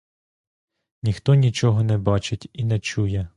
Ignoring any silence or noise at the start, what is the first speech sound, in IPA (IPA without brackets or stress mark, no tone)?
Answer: nʲ